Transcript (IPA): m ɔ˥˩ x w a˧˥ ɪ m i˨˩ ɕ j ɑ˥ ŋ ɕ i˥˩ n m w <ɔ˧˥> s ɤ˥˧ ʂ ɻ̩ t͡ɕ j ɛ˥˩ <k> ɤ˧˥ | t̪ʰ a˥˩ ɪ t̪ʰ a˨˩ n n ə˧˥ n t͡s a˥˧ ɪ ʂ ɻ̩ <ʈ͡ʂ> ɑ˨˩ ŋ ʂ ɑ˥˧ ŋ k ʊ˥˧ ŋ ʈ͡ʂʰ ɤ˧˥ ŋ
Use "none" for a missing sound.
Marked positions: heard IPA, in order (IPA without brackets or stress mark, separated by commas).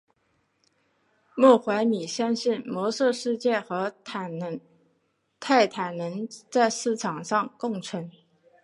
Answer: ɔ˧˥, x, ʈ͡ʂʰ